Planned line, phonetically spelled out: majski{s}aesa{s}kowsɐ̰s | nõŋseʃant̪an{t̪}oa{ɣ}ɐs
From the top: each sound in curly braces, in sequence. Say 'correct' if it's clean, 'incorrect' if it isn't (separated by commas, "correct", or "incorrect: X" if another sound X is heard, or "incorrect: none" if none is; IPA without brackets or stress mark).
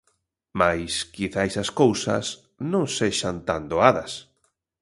incorrect: θ, correct, incorrect: d̪, incorrect: ð